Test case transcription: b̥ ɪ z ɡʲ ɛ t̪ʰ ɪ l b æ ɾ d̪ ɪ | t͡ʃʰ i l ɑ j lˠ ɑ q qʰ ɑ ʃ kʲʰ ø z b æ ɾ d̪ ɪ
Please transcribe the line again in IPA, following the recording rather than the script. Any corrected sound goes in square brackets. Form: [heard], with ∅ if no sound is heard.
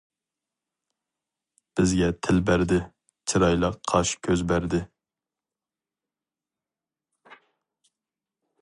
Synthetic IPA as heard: b̥ ɪ z ɡʲ ɛ t̪ʰ ɪ l b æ ɾ d̪ ɪ | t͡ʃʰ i [ɾ] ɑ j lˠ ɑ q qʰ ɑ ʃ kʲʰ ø z b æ ɾ d̪ ɪ